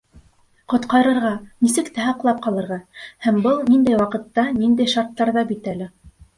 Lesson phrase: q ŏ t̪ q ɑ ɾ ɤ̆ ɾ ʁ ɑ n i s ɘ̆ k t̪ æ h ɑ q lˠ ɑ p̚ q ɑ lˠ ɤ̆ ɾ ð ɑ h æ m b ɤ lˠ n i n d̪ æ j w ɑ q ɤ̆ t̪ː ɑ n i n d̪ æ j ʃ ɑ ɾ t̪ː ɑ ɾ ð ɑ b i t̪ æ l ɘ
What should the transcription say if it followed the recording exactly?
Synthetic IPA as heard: q ŏ t̪ q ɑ ɾ ɤ̆ ɾ ʁ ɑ n i s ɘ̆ k t̪ æ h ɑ q lˠ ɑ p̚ q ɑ lˠ ɤ̆ ɾ ʁ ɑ h æ m b ɤ lˠ n i n d̪ æ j w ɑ q ɤ̆ t̪ː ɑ n i n d̪ æ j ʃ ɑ ɾ t̪ː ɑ ɾ ð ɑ b i t̪ æ l ɘ